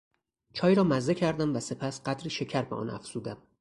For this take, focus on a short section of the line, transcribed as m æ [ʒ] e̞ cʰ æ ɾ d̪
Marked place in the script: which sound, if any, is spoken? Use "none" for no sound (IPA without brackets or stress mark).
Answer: z